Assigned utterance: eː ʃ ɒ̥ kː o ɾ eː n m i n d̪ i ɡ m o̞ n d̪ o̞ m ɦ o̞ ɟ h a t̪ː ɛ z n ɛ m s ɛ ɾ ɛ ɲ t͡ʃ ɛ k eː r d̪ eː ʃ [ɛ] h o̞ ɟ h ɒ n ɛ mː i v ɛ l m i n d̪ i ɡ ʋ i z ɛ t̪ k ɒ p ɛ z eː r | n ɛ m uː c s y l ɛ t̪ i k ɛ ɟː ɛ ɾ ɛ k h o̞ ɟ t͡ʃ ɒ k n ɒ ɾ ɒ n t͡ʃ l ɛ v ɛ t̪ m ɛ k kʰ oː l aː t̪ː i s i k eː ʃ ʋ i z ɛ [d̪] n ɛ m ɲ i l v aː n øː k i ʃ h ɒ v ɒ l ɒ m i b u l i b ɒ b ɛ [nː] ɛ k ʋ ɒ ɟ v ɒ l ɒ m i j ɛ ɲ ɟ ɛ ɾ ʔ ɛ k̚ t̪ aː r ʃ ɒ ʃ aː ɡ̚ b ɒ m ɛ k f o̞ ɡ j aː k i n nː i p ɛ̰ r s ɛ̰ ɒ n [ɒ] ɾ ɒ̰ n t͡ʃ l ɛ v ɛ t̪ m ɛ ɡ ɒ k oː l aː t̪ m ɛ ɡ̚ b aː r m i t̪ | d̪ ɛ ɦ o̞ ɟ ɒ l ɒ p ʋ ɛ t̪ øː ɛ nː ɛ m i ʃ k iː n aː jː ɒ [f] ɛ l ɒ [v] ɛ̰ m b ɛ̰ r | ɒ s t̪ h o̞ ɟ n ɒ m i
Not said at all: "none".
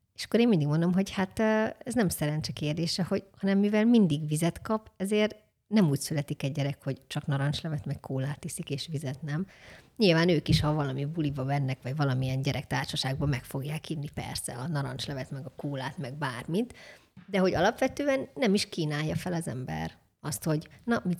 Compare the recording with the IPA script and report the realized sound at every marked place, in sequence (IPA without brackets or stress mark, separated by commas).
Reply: ɛ, t̪, nː, ɒ, f, z